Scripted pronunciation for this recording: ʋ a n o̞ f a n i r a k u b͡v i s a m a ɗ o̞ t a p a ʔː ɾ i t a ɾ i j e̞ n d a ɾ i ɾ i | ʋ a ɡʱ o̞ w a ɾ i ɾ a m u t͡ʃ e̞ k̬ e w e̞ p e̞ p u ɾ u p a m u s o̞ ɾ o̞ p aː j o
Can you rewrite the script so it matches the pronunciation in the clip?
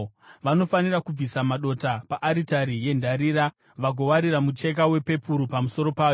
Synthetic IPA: ʋ a n o̞ f a n i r a k u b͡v i s a m a ɗ o̞ t a p a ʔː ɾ i t a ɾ i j e̞ n d a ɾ i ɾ a | ʋ a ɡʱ o̞ w a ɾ i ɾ a m u t͡ʃ e̞ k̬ a w e̞ p e̞ p u ɾ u p a m u s o̞ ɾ o̞ p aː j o